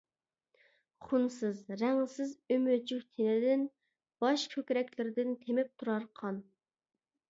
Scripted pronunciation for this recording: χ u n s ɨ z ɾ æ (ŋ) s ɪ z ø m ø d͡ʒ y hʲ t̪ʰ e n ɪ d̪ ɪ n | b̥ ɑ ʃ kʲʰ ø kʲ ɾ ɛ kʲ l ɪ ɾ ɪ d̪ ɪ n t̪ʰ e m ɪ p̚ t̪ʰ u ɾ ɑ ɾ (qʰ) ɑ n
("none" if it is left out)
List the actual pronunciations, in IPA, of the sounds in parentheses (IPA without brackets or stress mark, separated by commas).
ŋ, qʰ